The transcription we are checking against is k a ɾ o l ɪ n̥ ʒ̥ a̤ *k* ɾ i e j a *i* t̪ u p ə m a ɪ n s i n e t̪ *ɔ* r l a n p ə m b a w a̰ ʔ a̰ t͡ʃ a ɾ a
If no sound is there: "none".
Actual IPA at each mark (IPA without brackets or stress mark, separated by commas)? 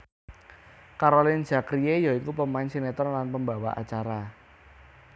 k, i, ɔ